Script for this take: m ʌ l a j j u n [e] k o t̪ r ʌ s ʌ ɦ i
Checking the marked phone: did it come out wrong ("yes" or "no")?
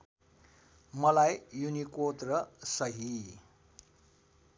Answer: yes